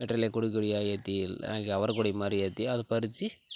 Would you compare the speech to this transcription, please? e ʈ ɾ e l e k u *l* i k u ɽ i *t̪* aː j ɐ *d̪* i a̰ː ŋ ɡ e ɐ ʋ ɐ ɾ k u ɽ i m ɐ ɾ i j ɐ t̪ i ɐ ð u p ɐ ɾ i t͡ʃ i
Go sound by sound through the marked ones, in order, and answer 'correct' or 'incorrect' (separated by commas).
incorrect, incorrect, incorrect